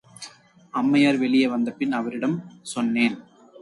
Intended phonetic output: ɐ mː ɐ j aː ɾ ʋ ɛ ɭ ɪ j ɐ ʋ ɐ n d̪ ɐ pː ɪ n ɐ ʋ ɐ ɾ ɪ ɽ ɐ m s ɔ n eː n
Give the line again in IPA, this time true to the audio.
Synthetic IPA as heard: ɐ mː ɐ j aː ɾ ʋ ɛ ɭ ɪ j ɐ ʋ ɐ n d̪ ɐ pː ɪ n ɐ ʋ ɐ ɾ ɪ ɽ ɐ m s ɔ nː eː n

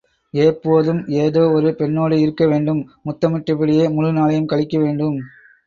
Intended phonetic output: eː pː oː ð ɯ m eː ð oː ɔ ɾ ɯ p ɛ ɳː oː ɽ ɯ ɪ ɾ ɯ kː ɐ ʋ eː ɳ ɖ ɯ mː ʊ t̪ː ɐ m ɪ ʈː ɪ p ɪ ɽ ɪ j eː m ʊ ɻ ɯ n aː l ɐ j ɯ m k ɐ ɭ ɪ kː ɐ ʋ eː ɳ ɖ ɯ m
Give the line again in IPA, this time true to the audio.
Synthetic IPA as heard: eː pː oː ð ɯ m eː ð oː ɔ ɾ ɯ p ɛ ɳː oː ɽ ɯ ɪ ɾ ɯ kː ɐ ʋ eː ɳ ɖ ɯ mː ʊ t̪ː ɐ m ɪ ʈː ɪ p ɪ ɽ ɪ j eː m ʊ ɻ ɯ n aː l ɐ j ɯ m k ɐ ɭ ɪ kː ɐ ʋ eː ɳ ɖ ɯ m

